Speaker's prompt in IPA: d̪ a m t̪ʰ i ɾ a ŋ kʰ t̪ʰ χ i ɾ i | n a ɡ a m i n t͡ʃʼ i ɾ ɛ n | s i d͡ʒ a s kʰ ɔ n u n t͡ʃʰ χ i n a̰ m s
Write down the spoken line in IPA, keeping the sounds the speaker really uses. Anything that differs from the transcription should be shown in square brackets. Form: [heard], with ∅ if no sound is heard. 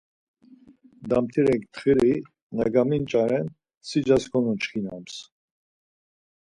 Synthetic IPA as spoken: d̪ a m t̪ʰ i ɾ [ɛ] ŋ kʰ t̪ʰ χ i ɾ i | n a ɡ a m i n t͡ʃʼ [a] ɾ ɛ n | s i d͡ʒ a s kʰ ɔ n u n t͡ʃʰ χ i n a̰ m s